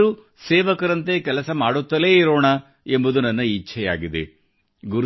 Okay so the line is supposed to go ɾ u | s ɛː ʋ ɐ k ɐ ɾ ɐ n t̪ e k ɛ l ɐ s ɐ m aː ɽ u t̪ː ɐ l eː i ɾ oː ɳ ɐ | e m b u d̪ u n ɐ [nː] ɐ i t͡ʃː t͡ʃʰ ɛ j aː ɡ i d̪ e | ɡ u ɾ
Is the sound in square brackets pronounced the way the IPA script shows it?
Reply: yes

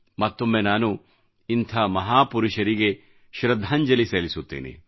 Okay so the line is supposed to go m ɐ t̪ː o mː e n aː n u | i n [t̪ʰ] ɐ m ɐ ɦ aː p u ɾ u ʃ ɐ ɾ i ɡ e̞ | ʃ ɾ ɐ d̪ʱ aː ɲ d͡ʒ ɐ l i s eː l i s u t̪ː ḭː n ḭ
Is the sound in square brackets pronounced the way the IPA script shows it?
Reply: yes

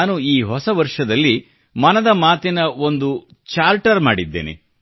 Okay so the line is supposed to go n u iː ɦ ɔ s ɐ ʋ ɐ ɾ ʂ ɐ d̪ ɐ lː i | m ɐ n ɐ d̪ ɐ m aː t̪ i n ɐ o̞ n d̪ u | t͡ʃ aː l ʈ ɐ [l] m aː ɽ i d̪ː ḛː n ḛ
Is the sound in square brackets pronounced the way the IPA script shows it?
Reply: no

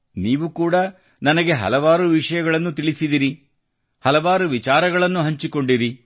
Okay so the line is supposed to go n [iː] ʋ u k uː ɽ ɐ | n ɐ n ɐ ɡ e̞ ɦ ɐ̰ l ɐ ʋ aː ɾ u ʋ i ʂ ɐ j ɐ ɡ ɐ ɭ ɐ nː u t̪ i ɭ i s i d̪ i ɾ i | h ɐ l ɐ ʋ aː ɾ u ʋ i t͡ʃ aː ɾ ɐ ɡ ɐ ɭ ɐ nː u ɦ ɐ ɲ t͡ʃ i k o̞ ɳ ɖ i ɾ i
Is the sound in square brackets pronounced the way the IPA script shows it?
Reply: yes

